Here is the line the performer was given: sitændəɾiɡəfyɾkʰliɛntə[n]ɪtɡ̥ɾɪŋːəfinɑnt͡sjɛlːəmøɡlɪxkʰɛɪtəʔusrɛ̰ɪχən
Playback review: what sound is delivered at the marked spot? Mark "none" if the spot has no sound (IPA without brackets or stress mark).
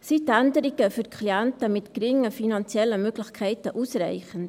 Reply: m